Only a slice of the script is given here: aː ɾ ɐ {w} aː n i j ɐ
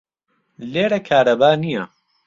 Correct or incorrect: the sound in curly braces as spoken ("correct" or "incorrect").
incorrect